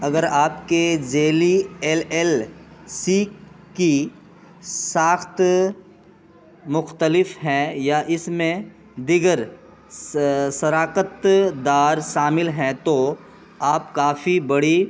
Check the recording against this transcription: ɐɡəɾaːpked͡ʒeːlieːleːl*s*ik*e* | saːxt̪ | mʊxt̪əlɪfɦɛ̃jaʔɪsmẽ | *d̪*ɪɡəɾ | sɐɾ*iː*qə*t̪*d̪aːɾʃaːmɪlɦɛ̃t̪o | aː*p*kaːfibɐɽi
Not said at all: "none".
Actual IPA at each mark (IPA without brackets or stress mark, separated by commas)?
s, i, d̪, aː, t̪, p